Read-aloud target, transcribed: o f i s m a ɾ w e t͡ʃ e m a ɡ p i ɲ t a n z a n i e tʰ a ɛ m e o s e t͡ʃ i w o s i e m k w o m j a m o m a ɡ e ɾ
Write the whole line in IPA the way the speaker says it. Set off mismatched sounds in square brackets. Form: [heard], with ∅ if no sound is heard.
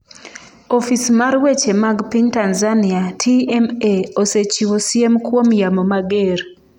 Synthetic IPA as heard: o f i s m a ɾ w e t͡ʃ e m a ɡ p i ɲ t a n z a n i [a] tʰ [i] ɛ m e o s e t͡ʃ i w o s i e m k w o m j a m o m a ɡ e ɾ